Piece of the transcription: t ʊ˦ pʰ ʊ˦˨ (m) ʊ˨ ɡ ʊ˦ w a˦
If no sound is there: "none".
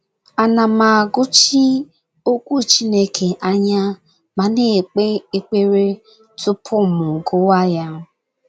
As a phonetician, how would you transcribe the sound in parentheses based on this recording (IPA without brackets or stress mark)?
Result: m